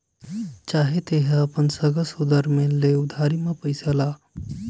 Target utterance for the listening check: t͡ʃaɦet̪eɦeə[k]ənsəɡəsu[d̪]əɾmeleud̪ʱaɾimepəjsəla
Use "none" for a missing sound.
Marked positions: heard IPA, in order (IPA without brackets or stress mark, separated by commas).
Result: p, d̪